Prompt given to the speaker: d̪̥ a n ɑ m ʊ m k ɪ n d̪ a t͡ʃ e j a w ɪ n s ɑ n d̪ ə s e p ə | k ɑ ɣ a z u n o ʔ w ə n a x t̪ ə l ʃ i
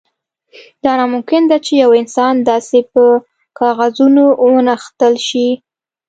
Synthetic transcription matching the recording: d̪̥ ɑ n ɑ m ʊ m k ɪ n d̪ a t͡ʃ e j a w ɪ n s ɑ n d̪ ɑ s e p ə | k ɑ ɣ a z u n o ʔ w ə n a x t̪ ə l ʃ i